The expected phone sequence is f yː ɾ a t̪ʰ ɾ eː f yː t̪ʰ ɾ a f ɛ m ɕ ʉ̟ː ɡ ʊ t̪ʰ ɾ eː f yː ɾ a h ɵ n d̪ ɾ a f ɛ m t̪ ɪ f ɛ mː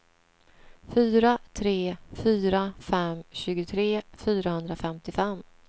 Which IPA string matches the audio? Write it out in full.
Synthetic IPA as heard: f yː ɾ a t̪ʰ ɾ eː f yː ɾ a f ɛ m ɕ ʉ̟ː ɡ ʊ t̪ʰ ɾ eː f yː ɾ a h ɵ n d̪ ɾ a f ɛ m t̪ ɪ f ɛ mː